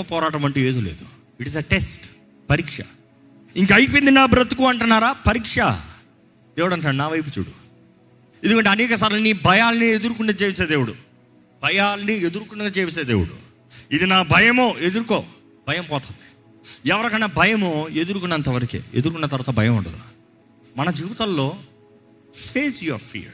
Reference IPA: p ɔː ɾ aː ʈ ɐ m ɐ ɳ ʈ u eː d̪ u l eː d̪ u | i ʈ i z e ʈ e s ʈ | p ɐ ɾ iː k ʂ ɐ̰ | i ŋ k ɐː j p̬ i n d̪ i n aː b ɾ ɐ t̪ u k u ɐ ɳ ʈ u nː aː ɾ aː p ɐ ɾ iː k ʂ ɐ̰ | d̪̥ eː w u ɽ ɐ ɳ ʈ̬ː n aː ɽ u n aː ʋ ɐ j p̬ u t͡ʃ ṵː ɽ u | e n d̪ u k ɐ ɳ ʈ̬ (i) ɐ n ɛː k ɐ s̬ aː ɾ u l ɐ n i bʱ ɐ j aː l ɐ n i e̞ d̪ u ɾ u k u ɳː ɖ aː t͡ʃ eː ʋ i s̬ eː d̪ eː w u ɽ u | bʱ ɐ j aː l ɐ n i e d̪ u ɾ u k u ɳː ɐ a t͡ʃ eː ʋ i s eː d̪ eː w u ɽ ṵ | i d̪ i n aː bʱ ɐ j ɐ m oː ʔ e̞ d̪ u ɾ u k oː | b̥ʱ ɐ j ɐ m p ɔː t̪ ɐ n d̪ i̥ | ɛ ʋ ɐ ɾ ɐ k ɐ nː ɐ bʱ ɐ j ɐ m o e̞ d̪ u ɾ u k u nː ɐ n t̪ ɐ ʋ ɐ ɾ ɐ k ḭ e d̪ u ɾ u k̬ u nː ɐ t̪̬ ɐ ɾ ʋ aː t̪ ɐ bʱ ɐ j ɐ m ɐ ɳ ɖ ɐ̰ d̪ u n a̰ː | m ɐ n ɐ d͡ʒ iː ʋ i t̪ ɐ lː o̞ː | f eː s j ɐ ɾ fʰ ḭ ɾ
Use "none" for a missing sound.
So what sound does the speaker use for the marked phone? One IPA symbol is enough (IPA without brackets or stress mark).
e